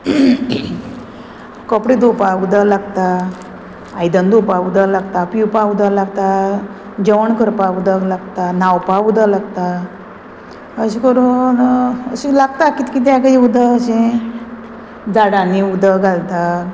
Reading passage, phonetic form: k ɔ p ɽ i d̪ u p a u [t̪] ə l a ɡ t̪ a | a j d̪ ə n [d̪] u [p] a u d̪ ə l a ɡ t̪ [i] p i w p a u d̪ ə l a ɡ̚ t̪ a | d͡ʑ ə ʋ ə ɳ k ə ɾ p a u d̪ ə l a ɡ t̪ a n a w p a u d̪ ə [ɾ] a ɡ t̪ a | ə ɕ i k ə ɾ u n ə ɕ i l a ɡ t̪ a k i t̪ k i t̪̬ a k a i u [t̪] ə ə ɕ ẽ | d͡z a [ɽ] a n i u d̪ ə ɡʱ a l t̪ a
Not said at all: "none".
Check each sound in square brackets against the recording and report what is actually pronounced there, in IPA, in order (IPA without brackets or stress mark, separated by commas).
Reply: d̪, d̪, p, a, l, d̪, ɽ